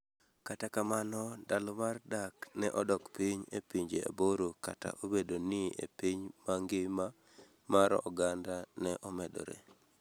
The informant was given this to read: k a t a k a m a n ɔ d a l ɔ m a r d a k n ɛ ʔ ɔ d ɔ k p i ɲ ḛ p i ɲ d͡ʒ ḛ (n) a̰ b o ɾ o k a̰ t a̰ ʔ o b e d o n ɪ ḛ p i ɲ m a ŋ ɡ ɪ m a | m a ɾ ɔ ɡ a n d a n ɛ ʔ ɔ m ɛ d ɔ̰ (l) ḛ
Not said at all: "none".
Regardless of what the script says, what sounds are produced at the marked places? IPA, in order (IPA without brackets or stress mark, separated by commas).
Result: none, ɾ